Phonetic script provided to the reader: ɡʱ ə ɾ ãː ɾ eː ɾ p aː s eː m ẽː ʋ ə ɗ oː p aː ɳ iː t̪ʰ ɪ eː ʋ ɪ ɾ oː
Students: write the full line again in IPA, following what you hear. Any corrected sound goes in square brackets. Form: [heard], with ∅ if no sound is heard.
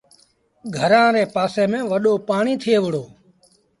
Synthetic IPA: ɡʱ ə ɾ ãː ɾ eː [∅] p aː s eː m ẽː ʋ ə ɗ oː p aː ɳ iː t̪ʰ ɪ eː ʋ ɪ [ɽ] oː